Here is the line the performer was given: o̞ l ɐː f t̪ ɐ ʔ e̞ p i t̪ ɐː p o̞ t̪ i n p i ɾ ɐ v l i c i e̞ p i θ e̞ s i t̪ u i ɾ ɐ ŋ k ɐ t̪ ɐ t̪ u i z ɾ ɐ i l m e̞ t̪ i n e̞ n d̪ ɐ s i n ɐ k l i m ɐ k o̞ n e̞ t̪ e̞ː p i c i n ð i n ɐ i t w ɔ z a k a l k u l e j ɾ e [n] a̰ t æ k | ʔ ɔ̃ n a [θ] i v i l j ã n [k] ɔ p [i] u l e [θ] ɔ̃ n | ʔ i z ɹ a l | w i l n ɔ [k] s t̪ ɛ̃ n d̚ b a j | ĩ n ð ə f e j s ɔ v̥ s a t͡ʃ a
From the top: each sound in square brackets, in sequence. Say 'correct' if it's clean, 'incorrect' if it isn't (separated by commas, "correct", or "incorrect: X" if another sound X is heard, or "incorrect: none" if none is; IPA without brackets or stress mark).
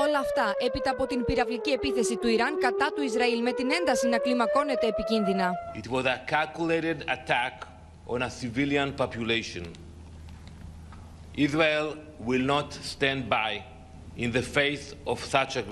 incorrect: d, incorrect: s, incorrect: p, incorrect: j, incorrect: ʃ, incorrect: t